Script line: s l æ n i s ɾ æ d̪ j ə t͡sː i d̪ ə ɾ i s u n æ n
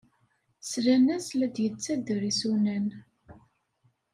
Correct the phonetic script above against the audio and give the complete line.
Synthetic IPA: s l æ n æ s l æ d̪ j ə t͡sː æ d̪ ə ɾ i s u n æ n